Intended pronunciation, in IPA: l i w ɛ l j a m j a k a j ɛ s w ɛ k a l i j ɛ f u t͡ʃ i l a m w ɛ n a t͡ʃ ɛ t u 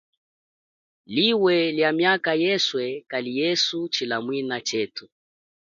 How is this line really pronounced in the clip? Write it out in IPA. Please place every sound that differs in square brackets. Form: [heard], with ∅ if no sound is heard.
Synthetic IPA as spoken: l i w ɛ l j a m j a k a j ɛ s w ɛ k a l i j ɛ [s] u t͡ʃ i l a m w [i] n a t͡ʃ ɛ t u